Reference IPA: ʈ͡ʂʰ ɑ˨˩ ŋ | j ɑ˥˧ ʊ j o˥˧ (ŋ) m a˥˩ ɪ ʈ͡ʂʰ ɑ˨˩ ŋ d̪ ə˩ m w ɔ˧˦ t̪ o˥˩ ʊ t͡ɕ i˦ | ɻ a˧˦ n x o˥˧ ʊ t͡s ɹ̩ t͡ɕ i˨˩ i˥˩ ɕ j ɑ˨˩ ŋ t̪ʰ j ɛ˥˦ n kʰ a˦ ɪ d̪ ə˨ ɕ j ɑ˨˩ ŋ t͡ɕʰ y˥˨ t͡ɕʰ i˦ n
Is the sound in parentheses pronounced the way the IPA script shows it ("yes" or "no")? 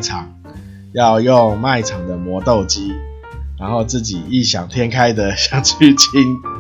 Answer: yes